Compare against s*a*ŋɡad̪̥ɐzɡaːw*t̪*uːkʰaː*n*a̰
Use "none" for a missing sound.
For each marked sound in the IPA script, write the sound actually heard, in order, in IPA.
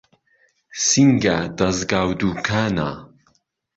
i, d̪, n

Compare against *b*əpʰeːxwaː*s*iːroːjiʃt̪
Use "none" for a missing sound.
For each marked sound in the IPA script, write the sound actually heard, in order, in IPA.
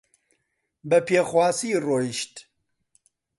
b, s

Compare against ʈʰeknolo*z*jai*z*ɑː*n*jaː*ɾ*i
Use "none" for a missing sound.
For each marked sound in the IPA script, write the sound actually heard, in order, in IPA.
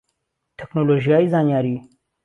ʒ, z, n, ɾ

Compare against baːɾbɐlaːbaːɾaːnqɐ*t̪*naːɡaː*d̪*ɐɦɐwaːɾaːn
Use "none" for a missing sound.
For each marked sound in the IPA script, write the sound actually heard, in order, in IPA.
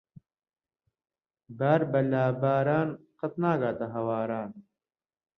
t̪, t̪

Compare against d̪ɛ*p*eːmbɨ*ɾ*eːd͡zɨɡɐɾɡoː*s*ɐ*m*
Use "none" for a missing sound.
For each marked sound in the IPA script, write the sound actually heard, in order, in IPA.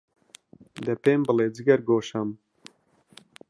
p, l, ʃ, m

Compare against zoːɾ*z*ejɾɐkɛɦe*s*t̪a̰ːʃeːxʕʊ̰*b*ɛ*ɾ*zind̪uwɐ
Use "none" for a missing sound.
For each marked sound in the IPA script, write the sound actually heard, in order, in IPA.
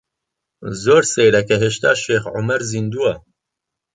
s, ʃ, m, ɾ

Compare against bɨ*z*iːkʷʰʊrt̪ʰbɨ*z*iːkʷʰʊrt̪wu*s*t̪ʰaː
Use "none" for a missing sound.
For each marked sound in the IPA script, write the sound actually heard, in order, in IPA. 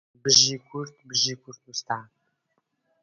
ʒ, ʒ, s

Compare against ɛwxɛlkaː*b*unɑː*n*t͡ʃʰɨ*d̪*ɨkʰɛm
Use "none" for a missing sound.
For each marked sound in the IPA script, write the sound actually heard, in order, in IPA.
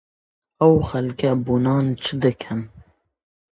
b, n, d̪

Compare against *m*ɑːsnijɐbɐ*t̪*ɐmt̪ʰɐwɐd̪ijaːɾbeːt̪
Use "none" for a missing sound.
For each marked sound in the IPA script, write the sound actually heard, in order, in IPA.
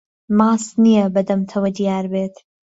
m, d̪

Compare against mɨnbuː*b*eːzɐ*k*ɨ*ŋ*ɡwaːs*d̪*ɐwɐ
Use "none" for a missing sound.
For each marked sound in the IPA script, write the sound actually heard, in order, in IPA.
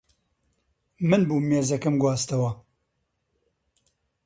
m, k, m, t̪

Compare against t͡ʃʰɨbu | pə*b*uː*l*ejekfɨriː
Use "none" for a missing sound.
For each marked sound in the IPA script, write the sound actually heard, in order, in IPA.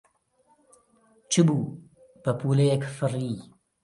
p, l

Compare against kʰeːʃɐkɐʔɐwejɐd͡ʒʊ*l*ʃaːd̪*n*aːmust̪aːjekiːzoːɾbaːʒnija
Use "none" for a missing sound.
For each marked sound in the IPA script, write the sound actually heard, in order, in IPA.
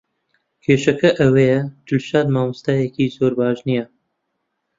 l, m

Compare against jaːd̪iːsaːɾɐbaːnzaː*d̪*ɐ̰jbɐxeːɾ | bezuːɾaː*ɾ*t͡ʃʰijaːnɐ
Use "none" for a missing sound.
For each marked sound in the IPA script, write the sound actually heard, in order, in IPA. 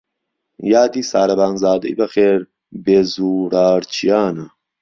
d̪, ɾ

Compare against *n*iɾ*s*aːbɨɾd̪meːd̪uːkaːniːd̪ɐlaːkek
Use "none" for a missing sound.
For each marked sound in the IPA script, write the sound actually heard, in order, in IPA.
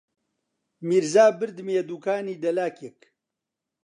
m, z

